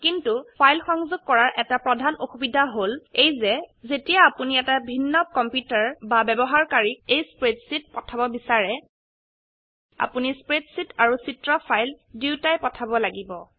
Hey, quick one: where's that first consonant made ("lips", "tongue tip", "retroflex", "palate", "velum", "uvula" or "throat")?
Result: velum